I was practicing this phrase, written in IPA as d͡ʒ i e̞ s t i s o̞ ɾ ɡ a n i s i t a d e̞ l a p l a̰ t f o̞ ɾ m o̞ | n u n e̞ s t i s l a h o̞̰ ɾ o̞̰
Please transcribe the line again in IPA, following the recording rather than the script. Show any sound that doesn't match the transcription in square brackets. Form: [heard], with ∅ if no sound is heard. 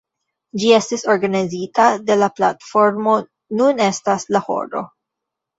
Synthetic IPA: d͡ʒ i e̞ s t i s o̞ ɾ ɡ a n i [z] i t a d e̞ l a p l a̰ t f o̞ ɾ m o̞ | n u n e̞ s t [a] s l a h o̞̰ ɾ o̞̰